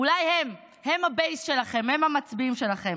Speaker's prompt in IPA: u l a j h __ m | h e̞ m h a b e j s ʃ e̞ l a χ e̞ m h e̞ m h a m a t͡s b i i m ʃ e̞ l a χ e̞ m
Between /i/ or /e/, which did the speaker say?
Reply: e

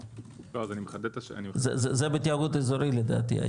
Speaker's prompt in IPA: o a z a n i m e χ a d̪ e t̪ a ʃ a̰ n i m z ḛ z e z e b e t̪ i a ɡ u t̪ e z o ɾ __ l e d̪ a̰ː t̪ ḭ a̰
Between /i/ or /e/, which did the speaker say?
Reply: i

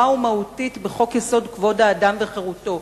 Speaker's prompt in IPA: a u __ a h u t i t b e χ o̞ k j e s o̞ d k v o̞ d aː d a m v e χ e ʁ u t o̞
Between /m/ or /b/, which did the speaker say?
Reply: m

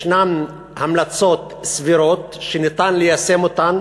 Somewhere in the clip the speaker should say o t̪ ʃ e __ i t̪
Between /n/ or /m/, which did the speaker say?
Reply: n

